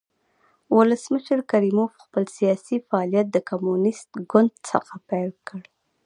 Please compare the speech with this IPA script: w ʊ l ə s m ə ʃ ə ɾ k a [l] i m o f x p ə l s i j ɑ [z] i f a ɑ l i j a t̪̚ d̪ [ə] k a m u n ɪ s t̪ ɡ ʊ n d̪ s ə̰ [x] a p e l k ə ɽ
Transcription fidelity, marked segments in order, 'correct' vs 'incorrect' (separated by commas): incorrect, incorrect, correct, correct